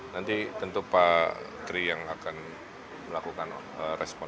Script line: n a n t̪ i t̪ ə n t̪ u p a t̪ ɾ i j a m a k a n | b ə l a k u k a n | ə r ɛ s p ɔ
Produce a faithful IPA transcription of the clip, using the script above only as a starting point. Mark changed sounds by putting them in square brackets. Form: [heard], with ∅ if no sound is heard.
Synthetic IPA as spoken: n a n t̪ i t̪ ə n t̪ u p a t̪ ɾ i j a [ŋ] a k a n | [m] ə l a k u k a n | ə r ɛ s p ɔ